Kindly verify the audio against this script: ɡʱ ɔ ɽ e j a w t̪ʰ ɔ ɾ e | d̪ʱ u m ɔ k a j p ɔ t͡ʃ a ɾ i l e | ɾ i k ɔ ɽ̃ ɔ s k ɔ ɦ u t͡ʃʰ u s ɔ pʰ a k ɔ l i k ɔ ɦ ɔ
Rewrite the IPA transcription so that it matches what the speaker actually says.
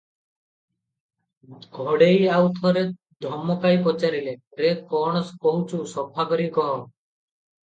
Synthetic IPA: ɡʱ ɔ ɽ e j a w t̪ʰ ɔ ɾ e | d̪ʱ ɔ m ɔ k a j p ɔ t͡ʃ a ɾ i l e | ɾ e k ɔ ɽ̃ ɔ s k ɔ ɦ u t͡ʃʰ u s ɔ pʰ a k ɔ ɾ i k ɔ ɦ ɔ